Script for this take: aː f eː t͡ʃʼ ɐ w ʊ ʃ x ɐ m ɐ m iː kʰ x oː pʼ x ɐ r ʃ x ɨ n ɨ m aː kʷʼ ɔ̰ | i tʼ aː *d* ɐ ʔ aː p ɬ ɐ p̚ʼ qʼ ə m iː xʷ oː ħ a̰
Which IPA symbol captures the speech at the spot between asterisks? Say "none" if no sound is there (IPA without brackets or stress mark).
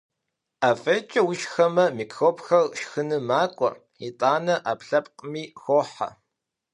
n